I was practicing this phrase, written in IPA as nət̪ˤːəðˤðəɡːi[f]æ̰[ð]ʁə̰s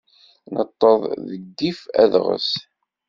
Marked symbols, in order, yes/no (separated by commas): yes, yes